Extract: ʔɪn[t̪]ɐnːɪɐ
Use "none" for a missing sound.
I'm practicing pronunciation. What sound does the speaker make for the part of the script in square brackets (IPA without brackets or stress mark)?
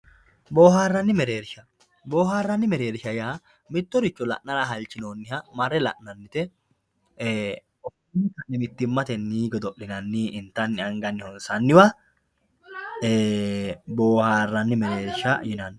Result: t̪